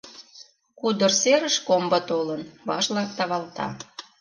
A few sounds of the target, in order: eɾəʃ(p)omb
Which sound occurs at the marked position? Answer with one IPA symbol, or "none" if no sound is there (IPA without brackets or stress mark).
k